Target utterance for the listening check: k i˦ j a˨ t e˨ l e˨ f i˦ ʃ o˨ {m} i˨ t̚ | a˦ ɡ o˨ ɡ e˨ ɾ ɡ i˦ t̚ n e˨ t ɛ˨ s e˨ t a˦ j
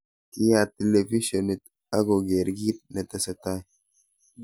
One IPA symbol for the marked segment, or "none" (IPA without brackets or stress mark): n